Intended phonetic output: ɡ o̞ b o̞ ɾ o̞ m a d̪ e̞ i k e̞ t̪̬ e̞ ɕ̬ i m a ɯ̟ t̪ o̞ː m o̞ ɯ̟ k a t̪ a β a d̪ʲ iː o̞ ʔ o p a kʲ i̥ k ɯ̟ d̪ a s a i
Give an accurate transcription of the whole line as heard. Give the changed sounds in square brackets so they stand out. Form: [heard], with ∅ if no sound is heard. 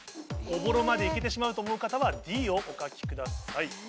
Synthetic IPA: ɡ o̞ b o̞ ɾ o̞ m a d̪ e̞ i k e̞ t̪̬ e̞ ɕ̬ i m a ɯ̟ t̪ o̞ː m o̞ ɯ̟ k a t̪ a β a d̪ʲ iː o̞ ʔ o [k] a kʲ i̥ k ɯ̟ d̪ a s a i